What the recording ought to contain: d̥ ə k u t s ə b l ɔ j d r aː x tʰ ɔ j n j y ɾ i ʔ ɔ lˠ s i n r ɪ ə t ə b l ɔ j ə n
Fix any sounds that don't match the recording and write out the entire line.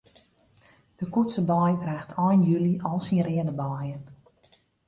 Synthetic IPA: d̥ ə k u t s ə b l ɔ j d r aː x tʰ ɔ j n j y l i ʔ ɔ lˠ s i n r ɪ ə d ə b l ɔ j ə n